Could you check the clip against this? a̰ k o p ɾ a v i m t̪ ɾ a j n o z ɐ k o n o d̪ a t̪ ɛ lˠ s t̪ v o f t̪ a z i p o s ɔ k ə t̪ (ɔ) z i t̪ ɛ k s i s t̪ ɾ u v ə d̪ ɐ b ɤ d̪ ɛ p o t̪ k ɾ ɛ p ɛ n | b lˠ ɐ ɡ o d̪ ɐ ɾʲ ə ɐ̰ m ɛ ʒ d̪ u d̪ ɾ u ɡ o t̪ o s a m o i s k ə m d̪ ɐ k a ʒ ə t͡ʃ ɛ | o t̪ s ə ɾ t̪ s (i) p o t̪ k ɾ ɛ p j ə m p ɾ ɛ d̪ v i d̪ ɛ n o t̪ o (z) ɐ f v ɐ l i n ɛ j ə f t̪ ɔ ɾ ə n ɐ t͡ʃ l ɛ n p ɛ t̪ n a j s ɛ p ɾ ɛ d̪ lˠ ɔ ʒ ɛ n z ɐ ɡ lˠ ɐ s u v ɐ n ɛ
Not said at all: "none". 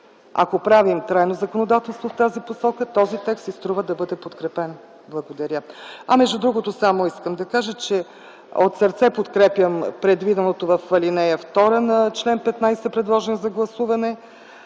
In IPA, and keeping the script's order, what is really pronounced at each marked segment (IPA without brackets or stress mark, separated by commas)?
ɔ, ɛ, v